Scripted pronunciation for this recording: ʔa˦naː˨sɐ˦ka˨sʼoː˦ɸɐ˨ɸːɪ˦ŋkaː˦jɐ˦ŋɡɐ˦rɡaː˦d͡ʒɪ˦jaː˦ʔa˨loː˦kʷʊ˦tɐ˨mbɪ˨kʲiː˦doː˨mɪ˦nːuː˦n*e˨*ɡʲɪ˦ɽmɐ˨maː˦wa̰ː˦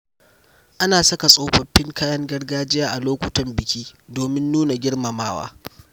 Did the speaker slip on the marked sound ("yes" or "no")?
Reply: yes